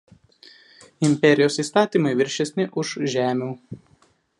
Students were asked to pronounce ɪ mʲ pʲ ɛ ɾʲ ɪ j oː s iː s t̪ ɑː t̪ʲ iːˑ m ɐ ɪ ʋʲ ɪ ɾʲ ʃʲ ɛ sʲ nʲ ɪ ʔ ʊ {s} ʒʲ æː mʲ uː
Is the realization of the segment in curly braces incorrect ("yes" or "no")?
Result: yes